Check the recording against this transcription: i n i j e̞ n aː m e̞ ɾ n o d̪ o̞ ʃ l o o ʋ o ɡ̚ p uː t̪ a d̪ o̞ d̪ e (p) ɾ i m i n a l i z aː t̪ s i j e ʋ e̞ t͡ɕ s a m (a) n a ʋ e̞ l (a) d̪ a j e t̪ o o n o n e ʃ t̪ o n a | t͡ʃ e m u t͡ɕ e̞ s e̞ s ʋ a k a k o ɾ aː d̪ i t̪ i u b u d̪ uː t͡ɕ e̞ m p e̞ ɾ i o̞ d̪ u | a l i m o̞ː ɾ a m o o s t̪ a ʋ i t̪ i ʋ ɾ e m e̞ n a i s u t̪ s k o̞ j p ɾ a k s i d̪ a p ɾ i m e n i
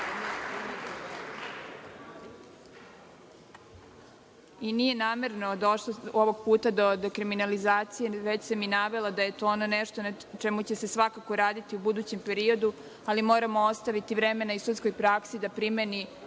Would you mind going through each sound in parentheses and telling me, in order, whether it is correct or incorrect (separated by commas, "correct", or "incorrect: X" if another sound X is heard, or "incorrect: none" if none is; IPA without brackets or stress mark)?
incorrect: k, incorrect: i, correct